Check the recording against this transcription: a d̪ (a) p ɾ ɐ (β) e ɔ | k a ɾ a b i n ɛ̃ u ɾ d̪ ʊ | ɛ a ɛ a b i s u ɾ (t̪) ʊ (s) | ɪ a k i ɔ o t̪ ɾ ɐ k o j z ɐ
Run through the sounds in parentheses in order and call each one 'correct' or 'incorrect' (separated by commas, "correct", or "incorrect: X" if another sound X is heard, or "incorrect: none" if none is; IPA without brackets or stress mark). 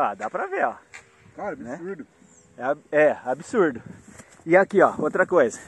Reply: correct, incorrect: v, incorrect: d̪, incorrect: none